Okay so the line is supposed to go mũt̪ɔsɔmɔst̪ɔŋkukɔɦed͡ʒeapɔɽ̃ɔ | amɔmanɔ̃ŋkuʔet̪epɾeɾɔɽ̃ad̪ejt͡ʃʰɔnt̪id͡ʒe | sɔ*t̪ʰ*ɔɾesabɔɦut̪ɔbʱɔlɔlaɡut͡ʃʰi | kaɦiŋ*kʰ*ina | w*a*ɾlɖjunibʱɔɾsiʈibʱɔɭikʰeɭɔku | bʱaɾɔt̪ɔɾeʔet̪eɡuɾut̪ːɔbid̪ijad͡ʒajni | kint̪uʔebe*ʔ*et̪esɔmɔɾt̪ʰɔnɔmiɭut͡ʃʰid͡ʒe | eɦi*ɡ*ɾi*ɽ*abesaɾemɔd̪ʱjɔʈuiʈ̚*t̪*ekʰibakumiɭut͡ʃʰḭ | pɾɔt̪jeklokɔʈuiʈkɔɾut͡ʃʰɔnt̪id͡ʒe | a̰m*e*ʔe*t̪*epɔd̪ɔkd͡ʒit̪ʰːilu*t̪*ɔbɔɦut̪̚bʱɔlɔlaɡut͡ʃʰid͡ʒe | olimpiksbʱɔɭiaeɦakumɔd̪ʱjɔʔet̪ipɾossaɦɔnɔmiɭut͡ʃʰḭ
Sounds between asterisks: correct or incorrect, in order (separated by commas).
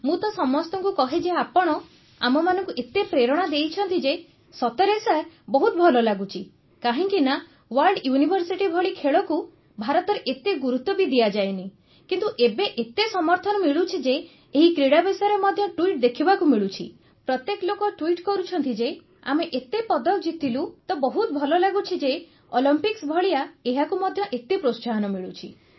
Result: incorrect, incorrect, correct, correct, incorrect, correct, incorrect, correct, correct, correct